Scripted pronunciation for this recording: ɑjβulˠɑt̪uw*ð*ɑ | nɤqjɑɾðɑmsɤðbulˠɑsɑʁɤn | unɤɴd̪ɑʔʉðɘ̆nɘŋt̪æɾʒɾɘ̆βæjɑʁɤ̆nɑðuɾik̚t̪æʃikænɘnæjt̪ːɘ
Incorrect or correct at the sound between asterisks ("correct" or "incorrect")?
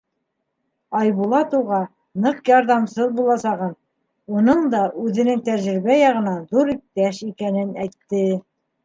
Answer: incorrect